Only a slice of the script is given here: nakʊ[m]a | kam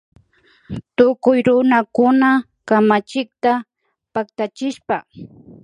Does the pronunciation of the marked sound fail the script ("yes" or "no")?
yes